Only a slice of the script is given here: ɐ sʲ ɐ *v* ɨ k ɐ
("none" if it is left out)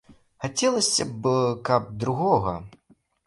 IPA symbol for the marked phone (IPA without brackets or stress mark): b